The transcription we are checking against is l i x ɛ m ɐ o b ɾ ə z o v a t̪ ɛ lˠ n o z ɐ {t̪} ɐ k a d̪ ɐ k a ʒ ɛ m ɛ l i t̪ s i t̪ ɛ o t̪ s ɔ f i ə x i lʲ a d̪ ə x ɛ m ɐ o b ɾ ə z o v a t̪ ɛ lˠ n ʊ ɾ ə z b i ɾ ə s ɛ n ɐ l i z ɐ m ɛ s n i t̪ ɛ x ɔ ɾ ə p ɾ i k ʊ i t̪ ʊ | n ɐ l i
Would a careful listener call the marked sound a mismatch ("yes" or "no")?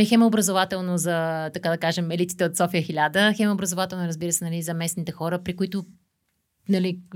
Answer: no